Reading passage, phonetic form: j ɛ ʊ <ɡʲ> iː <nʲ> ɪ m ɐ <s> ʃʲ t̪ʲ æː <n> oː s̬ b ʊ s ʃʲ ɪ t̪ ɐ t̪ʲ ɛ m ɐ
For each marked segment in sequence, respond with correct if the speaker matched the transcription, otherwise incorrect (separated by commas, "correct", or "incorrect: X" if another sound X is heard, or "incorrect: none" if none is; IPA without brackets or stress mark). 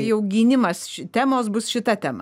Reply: correct, correct, correct, incorrect: m